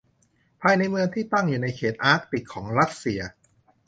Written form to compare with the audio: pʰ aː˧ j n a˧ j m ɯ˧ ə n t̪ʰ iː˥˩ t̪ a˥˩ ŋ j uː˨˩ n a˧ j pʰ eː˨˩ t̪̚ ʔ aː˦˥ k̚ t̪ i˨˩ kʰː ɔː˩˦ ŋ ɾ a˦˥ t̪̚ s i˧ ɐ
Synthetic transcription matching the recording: pʰ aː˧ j n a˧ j m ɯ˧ ə ŋ t̪ʰ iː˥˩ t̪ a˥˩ ŋ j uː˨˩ n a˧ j kʰ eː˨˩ t̪̚ ʔ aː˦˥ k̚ t̪ i˨˩ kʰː ɔː˩˦ ŋ ɾ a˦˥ t̪̚ s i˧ ɐ